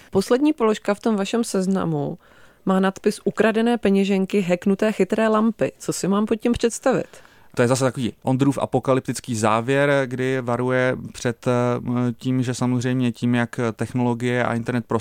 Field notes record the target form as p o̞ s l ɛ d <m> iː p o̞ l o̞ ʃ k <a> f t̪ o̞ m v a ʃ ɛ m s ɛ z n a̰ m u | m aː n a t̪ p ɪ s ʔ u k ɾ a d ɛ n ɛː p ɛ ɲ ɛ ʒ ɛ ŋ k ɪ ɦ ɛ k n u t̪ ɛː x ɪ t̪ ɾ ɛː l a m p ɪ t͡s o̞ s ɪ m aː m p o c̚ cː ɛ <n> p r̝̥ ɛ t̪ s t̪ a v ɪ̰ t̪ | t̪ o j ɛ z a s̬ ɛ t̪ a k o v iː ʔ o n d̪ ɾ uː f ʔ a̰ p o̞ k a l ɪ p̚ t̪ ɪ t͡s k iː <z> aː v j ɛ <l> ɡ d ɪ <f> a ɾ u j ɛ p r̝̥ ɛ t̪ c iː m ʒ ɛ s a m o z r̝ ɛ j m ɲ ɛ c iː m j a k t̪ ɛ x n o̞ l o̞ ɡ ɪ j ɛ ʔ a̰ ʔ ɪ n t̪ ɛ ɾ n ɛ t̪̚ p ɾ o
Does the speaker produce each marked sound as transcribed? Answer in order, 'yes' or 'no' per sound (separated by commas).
no, yes, no, yes, no, no